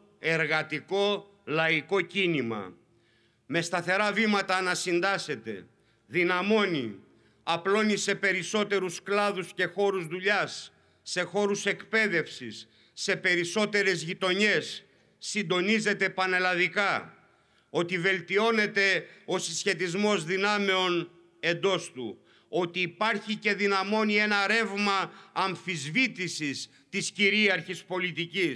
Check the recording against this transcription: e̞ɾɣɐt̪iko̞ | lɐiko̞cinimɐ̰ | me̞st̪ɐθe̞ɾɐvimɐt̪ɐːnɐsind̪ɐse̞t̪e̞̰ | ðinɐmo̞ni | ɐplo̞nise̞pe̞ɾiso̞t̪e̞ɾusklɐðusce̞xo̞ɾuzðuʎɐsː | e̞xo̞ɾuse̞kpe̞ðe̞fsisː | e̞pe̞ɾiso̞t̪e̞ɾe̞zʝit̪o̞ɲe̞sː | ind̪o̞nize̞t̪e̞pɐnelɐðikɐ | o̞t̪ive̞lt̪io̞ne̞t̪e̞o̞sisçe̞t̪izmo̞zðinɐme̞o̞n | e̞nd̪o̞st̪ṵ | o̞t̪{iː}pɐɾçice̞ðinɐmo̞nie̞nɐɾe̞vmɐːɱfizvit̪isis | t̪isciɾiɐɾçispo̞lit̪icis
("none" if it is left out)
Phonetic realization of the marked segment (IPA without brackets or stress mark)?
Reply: iː